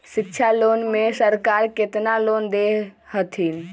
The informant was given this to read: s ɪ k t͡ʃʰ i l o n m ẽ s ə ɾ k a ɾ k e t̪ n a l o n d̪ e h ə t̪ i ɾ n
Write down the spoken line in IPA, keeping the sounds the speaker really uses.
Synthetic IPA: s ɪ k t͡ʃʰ a l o n m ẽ s ə ɾ k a ɾ k e t̪ n a l o n d̪ e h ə t̪ʰ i n